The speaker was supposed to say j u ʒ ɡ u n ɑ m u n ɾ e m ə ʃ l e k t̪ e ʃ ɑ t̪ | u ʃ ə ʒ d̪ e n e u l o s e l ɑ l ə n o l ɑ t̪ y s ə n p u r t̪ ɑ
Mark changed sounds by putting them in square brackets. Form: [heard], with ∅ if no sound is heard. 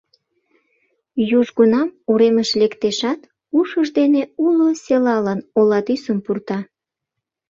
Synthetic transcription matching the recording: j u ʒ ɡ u n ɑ m u [∅] ɾ e m ə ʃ l e k t̪ e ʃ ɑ t̪ | u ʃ ə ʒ d̪ e n e u l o s e l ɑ l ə n o l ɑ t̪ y s ə [m] p u r t̪ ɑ